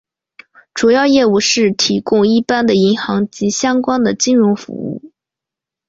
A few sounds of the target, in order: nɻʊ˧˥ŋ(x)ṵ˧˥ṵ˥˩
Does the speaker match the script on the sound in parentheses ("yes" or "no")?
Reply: no